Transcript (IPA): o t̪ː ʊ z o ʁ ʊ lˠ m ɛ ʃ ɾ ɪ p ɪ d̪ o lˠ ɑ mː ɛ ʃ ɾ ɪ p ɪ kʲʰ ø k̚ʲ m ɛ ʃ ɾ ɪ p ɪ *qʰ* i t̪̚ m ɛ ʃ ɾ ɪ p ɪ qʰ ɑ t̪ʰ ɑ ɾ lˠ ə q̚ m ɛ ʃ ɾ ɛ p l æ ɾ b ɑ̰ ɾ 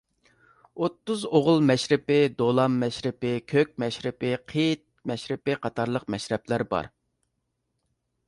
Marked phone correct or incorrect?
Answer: correct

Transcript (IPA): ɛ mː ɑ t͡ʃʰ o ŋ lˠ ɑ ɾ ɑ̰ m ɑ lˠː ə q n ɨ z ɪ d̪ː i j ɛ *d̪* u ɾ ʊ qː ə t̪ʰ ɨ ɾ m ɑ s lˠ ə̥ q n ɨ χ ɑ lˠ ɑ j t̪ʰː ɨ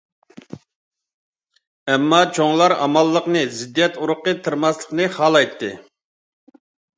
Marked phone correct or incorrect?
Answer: incorrect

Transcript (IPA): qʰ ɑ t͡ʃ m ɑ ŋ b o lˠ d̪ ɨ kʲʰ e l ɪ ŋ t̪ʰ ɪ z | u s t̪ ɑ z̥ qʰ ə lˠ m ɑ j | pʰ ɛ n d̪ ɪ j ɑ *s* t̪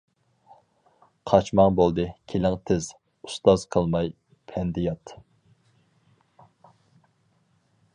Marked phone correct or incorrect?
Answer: incorrect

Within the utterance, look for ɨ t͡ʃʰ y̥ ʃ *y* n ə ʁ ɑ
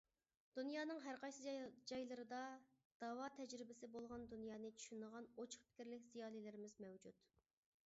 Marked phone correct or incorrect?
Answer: correct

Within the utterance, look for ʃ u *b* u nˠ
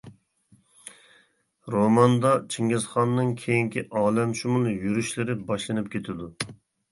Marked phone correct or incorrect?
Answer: incorrect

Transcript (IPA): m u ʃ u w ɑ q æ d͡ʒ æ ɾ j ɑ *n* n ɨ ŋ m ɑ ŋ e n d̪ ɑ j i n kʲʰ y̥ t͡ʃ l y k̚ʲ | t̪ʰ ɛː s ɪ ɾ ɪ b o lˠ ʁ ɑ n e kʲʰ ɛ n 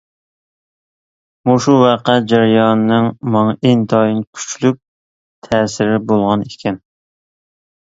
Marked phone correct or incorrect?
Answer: correct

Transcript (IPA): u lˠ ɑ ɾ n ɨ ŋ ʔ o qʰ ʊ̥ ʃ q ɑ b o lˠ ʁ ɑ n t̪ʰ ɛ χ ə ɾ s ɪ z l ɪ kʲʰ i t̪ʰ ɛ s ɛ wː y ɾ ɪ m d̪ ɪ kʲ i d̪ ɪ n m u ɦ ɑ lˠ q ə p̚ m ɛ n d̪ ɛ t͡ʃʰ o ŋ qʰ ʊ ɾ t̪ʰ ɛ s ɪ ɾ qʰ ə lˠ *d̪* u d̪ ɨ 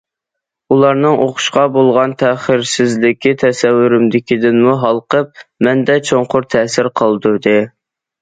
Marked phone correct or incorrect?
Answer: correct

